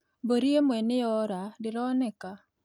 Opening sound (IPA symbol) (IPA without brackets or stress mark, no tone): b